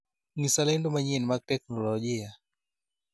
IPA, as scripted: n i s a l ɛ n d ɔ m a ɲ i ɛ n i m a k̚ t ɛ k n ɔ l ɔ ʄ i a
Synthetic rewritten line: n i s a l ɛ n d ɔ m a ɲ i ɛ n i m a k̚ t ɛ k n ɔ l ɔ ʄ i a